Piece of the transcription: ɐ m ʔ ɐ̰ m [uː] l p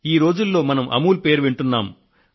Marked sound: correct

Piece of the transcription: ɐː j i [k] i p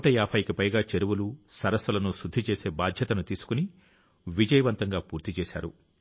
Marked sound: correct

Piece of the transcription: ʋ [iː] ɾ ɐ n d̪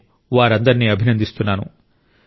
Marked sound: incorrect: aː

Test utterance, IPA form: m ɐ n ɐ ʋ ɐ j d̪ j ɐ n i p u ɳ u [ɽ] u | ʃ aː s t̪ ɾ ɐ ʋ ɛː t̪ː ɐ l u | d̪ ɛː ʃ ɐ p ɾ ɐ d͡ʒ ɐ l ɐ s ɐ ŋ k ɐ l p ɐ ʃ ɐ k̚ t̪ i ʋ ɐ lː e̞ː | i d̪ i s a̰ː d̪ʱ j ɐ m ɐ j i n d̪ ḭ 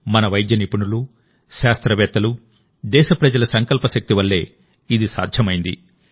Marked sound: incorrect: l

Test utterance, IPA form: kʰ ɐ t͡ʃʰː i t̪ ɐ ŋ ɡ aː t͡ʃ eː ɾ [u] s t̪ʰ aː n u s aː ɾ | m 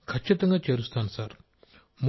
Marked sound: correct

